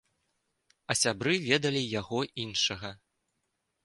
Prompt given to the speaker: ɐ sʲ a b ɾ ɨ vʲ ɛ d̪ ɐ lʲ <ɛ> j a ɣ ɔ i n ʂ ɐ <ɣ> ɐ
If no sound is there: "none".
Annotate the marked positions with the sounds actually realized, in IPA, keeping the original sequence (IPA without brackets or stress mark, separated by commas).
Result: i, ɣ